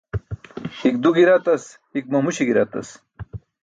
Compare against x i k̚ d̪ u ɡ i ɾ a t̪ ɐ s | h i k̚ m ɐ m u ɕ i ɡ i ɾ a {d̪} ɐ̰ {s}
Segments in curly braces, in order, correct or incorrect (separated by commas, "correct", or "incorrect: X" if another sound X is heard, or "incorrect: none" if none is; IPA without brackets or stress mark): incorrect: t̪, correct